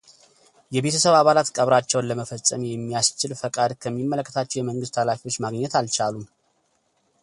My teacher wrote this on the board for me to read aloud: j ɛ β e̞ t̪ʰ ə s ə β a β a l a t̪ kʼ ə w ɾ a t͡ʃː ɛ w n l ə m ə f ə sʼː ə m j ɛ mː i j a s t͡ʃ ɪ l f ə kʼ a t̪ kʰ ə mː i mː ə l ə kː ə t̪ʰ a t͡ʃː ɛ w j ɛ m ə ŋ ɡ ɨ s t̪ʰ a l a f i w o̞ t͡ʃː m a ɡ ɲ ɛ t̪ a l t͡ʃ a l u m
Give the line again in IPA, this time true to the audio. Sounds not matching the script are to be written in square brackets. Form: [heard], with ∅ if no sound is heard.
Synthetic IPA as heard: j ɛ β e̞ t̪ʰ ə s ə β a β a l a t̪ kʼ ə [β] ɾ a t͡ʃː ɛ w n l ə m ə f ə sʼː ə m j ɛ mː i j a s t͡ʃ ɪ l f ə kʼ a [d̪] kʰ ə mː i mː ə l ə kː ə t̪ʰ a t͡ʃː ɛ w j ɛ m ə ŋ ɡ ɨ s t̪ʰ a l a f i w o̞ t͡ʃː m a ɡ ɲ ɛ t̪ a l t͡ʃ a l u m

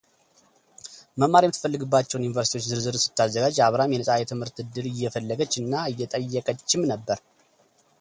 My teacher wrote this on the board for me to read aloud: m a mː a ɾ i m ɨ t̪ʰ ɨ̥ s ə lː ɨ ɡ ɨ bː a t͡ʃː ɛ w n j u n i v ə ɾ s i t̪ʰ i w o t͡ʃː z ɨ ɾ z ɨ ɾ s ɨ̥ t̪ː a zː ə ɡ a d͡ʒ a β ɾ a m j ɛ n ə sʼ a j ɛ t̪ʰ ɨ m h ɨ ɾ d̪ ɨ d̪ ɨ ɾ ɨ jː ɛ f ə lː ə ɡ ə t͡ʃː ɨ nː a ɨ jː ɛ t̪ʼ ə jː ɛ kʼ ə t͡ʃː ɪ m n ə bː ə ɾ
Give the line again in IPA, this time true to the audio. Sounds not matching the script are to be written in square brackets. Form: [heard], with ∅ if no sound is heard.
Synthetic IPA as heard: m [ə] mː a ɾ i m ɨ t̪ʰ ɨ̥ [f] ə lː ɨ ɡ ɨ bː a t͡ʃː ɛ w n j u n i v ə ɾ s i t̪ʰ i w o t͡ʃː z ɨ ɾ z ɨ ɾ s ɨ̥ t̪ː a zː ə ɡ a d͡ʒ a β ɾ a m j ɛ n ə sʼ a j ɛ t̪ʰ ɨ m h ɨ ɾ [t̪] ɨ d̪ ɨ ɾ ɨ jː ɛ f ə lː ə ɡ ə t͡ʃː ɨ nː a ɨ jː ɛ t̪ʼ ə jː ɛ kʼ ə t͡ʃː ɪ m n ə bː ə ɾ

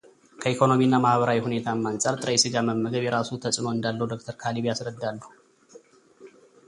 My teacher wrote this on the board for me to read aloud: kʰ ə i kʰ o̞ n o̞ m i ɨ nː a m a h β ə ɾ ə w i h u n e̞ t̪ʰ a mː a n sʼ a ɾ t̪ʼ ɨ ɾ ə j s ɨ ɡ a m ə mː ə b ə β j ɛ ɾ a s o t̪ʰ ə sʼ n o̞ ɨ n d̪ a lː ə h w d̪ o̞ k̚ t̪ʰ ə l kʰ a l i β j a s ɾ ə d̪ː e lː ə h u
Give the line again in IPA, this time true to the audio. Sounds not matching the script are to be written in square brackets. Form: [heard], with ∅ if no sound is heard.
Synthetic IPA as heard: kʰ ə i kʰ o̞ n o̞ m i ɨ nː a m a h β ə ɾ [a] w i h u n e̞ t̪ʰ a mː a n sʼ a ɾ t̪ʼ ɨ ɾ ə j s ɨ ɡ a m ə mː ə [ɡ] ə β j ɛ ɾ a s [u] t̪ʰ ə sʼ n o̞ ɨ n d̪ a lː ə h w d̪ o̞ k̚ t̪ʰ ə [ɾ] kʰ a l i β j a s ɾ ə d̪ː [a] lː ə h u

